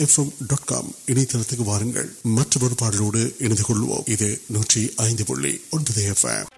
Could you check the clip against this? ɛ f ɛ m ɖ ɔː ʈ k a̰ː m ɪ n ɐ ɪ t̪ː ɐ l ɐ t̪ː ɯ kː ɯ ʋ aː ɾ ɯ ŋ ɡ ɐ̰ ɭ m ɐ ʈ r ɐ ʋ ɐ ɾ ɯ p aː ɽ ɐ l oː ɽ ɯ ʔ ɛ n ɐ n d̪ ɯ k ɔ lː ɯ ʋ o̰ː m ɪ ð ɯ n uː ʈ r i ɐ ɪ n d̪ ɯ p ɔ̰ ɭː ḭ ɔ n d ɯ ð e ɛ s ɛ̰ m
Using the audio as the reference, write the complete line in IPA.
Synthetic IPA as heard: ɛ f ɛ m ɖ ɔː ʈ k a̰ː m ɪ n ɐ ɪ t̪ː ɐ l ɐ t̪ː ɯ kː ɯ ʋ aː ɾ ɯ ŋ ɡ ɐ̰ ɭ m ɐ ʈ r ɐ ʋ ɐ ɾ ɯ p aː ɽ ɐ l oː ɽ ɯ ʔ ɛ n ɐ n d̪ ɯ k ɔ ɭː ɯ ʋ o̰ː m ɪ ð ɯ n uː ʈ r i ɐ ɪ n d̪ ɯ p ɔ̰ ɭː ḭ ɔ n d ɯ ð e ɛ f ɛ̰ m